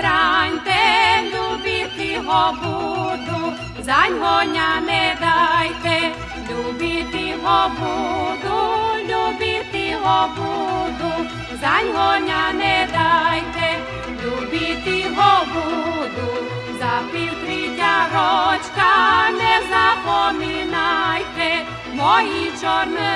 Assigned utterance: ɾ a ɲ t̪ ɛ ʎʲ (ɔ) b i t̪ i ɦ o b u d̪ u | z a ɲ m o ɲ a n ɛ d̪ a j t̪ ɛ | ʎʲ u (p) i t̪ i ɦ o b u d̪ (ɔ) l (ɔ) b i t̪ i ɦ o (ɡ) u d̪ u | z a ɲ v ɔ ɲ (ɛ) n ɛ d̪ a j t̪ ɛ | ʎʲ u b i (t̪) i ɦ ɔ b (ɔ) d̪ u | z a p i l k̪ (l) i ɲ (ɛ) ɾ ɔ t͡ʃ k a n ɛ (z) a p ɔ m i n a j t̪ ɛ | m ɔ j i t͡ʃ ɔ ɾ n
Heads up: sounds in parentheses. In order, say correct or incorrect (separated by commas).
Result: incorrect, incorrect, incorrect, incorrect, incorrect, incorrect, correct, incorrect, incorrect, incorrect, correct